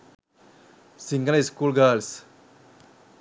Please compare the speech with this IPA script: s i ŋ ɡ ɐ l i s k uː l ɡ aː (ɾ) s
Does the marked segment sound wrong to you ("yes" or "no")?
yes